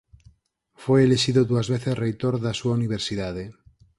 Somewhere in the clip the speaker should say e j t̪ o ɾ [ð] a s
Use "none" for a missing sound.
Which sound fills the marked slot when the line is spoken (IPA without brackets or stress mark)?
ð